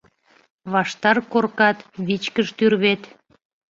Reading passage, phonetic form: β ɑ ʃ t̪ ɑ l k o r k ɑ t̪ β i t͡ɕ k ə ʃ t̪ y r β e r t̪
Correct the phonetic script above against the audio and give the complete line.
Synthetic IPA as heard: β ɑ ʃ t̪ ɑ r k o r k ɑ t̪ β i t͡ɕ k ə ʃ t̪ y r β e t̪